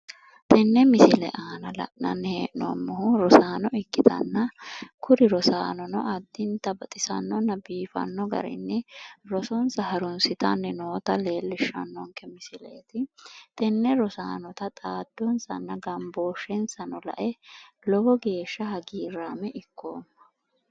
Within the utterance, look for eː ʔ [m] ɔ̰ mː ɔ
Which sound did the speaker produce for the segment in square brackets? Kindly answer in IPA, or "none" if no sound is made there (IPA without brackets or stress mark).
n